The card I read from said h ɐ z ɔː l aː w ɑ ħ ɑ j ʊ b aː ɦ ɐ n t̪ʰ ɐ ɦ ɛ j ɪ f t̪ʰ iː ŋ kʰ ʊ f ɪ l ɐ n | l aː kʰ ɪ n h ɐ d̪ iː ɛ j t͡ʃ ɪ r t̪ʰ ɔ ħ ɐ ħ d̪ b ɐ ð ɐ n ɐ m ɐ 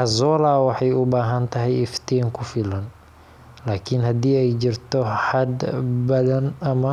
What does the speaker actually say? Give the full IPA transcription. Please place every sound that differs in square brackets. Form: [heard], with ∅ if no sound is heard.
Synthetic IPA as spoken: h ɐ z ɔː l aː w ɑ ħ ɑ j ʊ b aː ɦ ɐ n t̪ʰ ɐ ɦ ɛ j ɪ f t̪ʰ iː ŋ kʰ ʊ f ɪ l ɐ n | l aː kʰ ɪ n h ɐ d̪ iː ɛ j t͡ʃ ɪ r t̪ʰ ɔ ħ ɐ [∅] d̪ b ɐ ð ɐ n ɐ m ɐ